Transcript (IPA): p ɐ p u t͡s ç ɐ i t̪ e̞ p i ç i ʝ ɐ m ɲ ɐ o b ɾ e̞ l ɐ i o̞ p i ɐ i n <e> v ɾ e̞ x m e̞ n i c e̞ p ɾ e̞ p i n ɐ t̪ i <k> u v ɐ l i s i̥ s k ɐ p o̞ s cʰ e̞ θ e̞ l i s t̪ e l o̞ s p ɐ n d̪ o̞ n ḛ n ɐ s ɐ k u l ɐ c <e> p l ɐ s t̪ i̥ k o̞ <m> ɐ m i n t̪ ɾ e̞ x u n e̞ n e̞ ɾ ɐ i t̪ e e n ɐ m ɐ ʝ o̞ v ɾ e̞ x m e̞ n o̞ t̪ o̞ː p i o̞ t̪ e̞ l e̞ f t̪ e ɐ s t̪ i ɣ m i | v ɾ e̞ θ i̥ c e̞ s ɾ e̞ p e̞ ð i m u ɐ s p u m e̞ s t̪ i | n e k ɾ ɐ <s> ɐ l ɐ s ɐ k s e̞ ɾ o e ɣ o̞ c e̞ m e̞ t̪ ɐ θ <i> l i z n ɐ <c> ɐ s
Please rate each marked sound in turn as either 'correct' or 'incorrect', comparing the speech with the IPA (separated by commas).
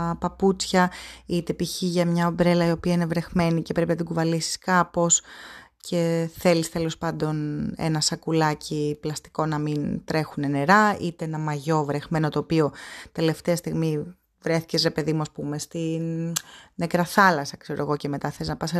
correct, incorrect, incorrect, incorrect, incorrect, incorrect, incorrect